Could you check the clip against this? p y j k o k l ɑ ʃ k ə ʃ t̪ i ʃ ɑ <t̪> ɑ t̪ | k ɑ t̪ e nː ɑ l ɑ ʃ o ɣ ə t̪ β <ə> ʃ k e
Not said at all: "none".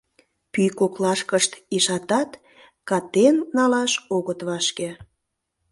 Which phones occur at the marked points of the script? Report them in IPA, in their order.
t̪, ɑ

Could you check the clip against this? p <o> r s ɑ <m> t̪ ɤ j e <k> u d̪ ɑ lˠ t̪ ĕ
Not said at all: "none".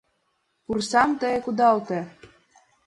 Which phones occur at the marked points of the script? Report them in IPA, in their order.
u, m, k

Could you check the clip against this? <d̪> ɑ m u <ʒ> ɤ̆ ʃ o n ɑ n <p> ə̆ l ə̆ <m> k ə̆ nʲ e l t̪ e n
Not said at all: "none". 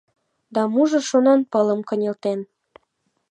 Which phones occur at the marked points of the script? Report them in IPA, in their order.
d̪, ʒ, p, m

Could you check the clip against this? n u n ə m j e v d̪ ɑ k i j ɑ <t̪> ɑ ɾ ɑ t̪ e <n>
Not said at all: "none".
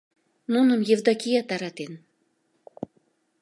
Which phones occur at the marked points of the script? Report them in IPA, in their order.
t̪, n

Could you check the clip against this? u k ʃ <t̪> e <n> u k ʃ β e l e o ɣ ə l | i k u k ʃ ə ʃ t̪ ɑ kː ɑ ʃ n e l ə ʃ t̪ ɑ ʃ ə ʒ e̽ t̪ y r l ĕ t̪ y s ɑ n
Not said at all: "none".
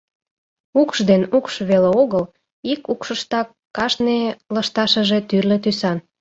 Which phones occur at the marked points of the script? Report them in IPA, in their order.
d̪, n

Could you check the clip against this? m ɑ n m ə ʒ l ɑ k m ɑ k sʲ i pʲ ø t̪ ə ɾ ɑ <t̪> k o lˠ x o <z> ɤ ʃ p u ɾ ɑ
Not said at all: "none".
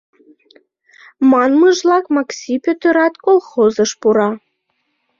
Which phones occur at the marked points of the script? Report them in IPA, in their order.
t̪, z

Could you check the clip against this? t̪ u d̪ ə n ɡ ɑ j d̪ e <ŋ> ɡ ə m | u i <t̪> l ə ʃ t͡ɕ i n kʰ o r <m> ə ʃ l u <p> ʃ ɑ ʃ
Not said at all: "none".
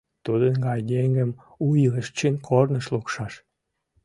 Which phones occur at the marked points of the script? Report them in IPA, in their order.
ŋ, none, n, k

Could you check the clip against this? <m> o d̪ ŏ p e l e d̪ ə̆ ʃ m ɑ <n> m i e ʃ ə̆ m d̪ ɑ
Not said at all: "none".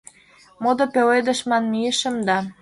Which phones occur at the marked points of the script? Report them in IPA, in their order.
m, n

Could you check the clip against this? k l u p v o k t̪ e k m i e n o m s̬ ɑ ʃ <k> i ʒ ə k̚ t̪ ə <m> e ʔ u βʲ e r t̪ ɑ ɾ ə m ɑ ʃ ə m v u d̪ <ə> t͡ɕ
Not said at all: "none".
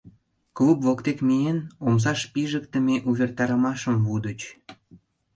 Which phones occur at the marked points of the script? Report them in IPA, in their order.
p, m, ə

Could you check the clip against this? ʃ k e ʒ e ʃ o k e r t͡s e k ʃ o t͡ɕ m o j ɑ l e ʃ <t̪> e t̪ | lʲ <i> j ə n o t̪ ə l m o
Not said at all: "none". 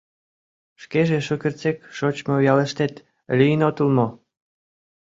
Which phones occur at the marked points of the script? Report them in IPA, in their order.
t̪, i

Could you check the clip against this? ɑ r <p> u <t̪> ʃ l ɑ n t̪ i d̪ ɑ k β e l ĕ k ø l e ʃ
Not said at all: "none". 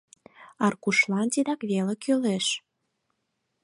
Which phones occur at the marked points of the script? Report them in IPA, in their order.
k, none

